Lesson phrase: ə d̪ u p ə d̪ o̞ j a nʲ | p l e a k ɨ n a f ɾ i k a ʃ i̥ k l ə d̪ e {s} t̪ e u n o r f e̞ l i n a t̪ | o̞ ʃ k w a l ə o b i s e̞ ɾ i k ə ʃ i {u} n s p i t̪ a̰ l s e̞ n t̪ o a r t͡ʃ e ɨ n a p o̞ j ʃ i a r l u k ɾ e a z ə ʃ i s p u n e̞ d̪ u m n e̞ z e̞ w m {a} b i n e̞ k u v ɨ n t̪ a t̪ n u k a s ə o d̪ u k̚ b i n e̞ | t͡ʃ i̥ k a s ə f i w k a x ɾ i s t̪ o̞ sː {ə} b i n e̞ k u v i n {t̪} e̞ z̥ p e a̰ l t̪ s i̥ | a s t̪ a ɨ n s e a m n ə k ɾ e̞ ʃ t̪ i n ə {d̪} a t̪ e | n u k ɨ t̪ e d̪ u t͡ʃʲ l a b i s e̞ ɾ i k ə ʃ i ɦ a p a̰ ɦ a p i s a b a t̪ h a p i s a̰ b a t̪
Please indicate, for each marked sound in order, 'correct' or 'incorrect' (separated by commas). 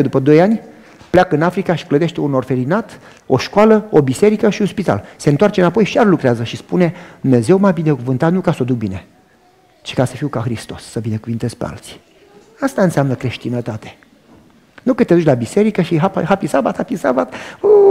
incorrect, correct, correct, correct, correct, incorrect